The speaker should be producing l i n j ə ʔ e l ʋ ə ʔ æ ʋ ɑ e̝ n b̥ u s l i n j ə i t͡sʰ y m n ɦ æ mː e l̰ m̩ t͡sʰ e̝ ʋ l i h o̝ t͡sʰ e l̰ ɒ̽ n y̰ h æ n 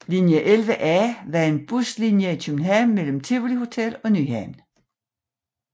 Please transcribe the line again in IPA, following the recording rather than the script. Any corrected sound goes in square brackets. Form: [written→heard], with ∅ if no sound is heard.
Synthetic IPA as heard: l i n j ə ʔ e l ʋ ə ʔ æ ʋ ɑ e̝ n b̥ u s l i n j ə i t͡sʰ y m n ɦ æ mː e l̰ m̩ t͡sʰ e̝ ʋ l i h o̝ t͡sʰ e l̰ ɒ̽ n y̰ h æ n